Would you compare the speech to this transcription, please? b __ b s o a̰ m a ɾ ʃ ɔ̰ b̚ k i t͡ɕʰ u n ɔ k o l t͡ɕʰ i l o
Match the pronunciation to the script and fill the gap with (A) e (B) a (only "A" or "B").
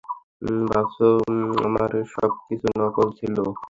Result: B